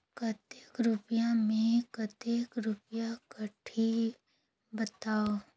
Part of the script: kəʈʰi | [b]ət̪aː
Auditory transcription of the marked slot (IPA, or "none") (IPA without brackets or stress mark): b